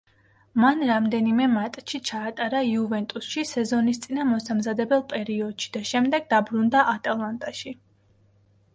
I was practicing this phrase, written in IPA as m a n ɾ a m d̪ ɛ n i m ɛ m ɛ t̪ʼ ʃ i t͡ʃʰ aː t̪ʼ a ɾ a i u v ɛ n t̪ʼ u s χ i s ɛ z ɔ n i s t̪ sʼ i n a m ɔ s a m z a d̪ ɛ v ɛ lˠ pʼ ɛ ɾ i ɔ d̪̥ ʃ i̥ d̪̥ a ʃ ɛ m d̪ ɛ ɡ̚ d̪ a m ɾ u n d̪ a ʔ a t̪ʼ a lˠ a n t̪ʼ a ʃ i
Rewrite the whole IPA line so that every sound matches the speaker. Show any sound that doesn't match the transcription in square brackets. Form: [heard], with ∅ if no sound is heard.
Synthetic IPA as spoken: m a n ɾ a m d̪ ɛ n i m ɛ m [a] t̪ʼ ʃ i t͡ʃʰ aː t̪ʼ a ɾ a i u v ɛ n t̪ʼ u s [ʃ] i s ɛ z ɔ n i s t̪ sʼ i n a m ɔ s a m z a d̪ ɛ [b] ɛ lˠ pʼ ɛ ɾ i ɔ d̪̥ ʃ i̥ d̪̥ a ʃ ɛ m d̪ ɛ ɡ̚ d̪ a [b] ɾ u n d̪ a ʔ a t̪ʼ a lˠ a n t̪ʼ a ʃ i

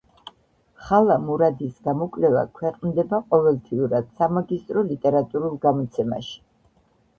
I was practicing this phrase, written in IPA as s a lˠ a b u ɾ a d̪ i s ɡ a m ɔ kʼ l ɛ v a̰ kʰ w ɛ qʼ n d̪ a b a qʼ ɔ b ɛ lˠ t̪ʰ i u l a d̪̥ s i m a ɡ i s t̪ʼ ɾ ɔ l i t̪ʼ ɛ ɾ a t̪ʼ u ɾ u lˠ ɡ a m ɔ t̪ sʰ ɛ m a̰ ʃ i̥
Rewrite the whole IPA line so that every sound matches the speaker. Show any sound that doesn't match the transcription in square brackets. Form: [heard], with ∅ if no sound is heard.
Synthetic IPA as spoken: [χ] a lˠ a [m] u ɾ a d̪ i s ɡ a m ɔ kʼ l ɛ v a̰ kʰ w ɛ qʼ n d̪ [ɛ] b a qʼ ɔ [v] ɛ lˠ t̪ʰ i u [ɾ] a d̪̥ s [a] m a ɡ i s t̪ʼ ɾ ɔ l i t̪ʼ ɛ ɾ a t̪ʼ u ɾ u lˠ ɡ a m ɔ t̪ sʰ ɛ m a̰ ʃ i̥

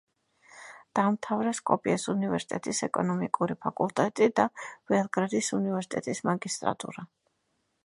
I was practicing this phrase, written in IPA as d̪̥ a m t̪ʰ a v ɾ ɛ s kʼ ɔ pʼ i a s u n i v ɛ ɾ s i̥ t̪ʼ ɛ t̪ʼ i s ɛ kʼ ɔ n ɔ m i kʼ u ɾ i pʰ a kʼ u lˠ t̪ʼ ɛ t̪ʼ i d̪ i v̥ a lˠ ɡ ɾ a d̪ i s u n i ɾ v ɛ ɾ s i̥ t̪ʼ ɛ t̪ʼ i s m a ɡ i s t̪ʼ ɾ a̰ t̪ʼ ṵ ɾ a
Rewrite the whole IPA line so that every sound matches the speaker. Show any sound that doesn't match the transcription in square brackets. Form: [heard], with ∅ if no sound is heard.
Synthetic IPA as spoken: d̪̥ a m t̪ʰ a v ɾ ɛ s kʼ ɔ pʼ i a s u n i v ɛ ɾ s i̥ t̪ʼ ɛ t̪ʼ i s ɛ kʼ ɔ n ɔ m i kʼ u ɾ i pʰ a kʼ u lˠ t̪ʼ ɛ t̪ʼ i d̪ [a] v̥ [ɛ] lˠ ɡ ɾ a d̪ i s u n i [∅] v ɛ ɾ s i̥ t̪ʼ ɛ t̪ʼ i s m a ɡ i s t̪ʼ ɾ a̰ t̪ʼ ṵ ɾ a

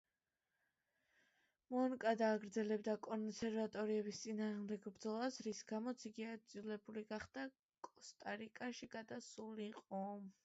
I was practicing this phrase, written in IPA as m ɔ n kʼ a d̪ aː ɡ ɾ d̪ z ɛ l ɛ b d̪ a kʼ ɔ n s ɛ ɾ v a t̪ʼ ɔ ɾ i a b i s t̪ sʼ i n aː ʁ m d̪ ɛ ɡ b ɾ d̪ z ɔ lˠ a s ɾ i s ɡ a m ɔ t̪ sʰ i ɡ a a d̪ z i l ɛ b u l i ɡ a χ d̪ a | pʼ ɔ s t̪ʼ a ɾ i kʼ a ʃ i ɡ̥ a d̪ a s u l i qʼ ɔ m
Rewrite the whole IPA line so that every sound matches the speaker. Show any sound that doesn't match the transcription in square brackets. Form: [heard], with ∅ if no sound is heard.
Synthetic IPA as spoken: m ɔ n kʼ a d̪ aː ɡ ɾ d̪ z ɛ l ɛ b d̪ a kʼ ɔ n s ɛ ɾ v a t̪ʼ ɔ ɾ i [ɛ] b i s t̪ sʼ i n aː ʁ m d̪ ɛ ɡ b ɾ d̪ z ɔ lˠ a s ɾ i s ɡ a m ɔ t̪ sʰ i ɡ [i] a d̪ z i l ɛ b u l i ɡ a χ d̪ a | [kʼ] ɔ s t̪ʼ a ɾ i kʼ a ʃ i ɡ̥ a d̪ a s u l i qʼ ɔ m

